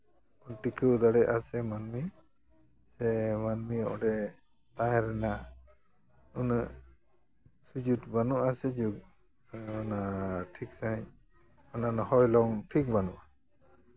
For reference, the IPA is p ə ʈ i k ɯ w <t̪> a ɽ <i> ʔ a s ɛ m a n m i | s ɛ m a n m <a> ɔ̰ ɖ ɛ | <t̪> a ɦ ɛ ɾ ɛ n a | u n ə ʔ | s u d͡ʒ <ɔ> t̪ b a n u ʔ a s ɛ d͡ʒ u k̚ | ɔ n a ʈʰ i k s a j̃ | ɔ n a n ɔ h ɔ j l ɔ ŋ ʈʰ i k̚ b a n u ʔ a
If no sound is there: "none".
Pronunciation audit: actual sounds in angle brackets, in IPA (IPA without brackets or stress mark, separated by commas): d̪, ɛ, i, t̪, u